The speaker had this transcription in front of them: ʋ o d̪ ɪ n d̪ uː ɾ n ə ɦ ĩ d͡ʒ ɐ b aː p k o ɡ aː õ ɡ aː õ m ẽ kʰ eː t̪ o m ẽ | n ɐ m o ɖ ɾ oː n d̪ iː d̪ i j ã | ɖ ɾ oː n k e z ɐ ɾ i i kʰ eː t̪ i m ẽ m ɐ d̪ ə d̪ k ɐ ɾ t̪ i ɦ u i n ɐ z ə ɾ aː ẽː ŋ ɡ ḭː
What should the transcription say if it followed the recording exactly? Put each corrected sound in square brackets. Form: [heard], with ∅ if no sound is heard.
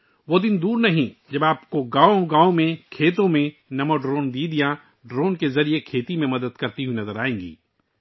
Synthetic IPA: ʋ o d̪ ɪ n d̪ uː ɾ n [ɐ] ɦ ĩ d͡ʒ ɐ b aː p k o ɡ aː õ ɡ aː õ m ẽ kʰ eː t̪ [õ] m ẽ | n ɐ m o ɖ ɾ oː n d̪ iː d̪ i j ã | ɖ ɾ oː n k e z ɐ ɾ i [e] kʰ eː t̪ i m ẽ m ɐ d̪ ə d̪ k ɐ ɾ t̪ i ɦ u i n ɐ z ə ɾ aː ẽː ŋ ɡ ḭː